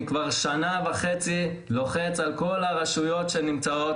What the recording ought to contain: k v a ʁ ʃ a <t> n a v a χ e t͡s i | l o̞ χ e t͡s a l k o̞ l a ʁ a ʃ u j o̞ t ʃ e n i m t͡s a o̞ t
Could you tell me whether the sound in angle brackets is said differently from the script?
yes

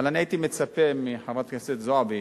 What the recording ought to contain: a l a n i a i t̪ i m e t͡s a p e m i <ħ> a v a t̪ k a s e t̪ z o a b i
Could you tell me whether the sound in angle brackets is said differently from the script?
no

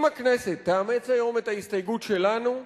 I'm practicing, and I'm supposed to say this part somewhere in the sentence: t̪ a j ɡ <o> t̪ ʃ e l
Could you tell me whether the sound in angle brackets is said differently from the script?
yes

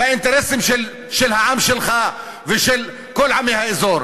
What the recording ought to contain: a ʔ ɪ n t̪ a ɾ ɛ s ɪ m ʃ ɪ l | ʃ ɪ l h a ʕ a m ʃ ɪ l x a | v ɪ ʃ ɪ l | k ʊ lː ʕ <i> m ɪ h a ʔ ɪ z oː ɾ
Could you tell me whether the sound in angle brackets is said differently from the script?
yes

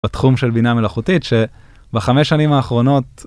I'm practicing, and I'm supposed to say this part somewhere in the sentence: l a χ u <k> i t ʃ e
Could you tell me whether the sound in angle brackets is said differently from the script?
yes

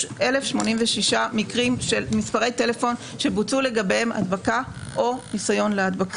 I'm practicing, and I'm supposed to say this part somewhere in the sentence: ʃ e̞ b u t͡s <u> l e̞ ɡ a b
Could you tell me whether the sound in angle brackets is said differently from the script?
no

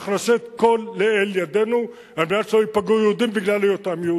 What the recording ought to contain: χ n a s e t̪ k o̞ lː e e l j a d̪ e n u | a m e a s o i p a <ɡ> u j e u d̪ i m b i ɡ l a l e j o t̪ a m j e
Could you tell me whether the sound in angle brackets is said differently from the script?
no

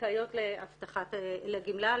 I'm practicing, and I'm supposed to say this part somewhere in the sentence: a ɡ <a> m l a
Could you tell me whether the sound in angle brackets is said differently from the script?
yes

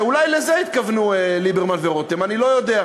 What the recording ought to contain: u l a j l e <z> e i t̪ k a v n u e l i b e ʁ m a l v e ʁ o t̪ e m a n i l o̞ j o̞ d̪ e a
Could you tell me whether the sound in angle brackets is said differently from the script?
no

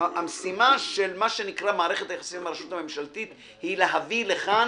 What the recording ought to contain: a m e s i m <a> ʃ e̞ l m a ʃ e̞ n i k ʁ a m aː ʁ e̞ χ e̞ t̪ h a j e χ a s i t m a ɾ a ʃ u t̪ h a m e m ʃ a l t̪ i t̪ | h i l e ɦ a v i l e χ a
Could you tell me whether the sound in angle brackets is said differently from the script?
no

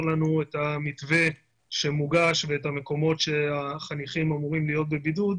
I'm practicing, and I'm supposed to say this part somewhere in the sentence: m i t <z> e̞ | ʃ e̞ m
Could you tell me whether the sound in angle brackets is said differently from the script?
yes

